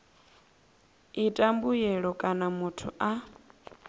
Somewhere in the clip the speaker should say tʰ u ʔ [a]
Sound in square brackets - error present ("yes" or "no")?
no